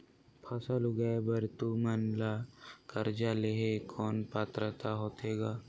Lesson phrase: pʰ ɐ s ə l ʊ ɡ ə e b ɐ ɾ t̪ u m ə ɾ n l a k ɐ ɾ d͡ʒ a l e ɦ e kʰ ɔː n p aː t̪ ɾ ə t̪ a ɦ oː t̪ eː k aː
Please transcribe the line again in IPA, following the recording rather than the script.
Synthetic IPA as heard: pʰ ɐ s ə l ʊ ɡ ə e b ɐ ɾ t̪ u m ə n l a k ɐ ɾ d͡ʒ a l e ɦ e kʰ ɔː n p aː t̪ ɾ ə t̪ a ɦ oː t̪ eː ɡ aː